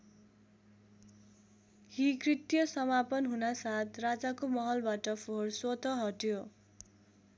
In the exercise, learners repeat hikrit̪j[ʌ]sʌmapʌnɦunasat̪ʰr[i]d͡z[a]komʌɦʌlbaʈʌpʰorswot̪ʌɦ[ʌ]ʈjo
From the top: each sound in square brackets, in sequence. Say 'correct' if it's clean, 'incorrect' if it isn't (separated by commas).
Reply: correct, incorrect, correct, correct